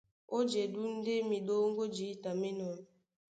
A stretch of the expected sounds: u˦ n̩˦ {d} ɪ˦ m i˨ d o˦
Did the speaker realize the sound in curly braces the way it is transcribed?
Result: yes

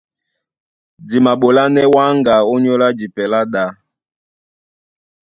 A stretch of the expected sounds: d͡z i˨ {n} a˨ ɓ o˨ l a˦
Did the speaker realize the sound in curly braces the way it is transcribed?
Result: no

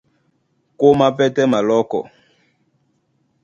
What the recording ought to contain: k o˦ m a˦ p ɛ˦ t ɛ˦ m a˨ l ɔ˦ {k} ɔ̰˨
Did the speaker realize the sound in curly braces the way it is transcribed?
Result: yes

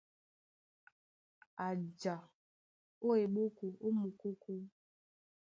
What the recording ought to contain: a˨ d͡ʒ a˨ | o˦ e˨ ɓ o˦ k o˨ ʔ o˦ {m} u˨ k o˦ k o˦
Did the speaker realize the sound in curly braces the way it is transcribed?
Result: yes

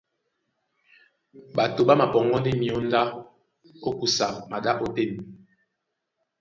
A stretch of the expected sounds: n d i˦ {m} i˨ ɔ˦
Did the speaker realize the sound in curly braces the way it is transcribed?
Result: yes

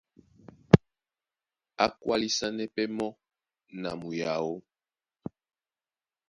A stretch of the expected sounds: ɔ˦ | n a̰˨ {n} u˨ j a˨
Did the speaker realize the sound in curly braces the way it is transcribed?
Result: no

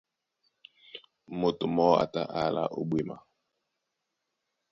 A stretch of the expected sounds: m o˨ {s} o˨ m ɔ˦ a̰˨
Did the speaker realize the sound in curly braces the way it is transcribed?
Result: no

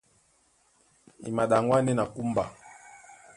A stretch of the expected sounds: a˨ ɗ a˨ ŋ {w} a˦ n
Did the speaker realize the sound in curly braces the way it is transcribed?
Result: yes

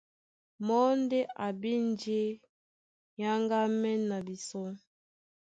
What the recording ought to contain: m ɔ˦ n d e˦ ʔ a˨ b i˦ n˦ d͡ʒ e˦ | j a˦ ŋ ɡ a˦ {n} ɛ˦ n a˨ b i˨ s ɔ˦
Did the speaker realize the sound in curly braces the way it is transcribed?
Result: no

